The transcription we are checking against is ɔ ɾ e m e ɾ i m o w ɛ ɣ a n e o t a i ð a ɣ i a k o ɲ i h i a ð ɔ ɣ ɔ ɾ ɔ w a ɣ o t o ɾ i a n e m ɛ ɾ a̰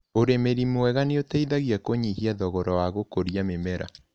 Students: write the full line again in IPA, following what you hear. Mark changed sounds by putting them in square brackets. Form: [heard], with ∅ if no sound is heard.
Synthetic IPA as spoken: [o] ɾ e m e ɾ i m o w ɛ ɣ a n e o t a i ð a ɣ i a k o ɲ i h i a ð ɔ ɣ ɔ ɾ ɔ w a ɣ o [k] o ɾ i a [m] e m ɛ ɾ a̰